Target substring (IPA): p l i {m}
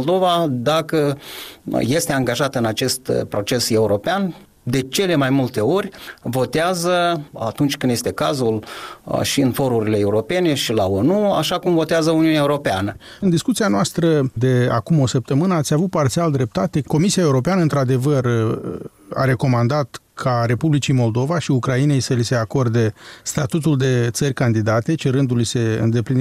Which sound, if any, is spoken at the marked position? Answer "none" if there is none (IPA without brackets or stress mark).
n